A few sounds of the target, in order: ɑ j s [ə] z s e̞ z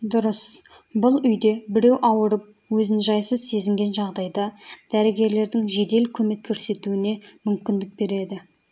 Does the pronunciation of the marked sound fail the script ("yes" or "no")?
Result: no